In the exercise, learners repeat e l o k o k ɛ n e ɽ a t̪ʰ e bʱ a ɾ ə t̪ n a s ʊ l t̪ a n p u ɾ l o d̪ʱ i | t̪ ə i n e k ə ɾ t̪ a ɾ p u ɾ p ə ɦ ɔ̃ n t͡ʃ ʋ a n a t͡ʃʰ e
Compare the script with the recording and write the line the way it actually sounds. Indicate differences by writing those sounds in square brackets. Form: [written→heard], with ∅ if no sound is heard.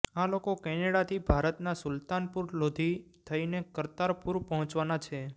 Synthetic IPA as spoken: [e→a] l o k o k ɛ n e ɽ a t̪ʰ [e→i] bʱ a ɾ ə t̪ n a s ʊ l t̪ a n p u ɾ l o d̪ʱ i | [t̪→t̪ʰ] ə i n e k ə ɾ t̪ a ɾ p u ɾ p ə ɦ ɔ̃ [n→∅] t͡ʃ ʋ a n a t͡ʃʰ e